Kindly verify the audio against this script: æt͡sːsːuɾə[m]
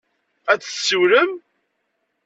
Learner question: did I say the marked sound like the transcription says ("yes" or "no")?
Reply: yes